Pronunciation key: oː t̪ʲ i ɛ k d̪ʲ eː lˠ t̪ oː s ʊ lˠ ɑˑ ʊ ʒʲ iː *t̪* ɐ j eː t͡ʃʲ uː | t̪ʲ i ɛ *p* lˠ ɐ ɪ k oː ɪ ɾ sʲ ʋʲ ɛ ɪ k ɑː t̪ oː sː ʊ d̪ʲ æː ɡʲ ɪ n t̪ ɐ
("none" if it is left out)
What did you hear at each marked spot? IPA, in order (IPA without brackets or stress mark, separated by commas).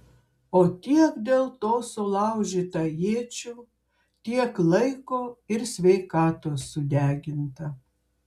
t̪, k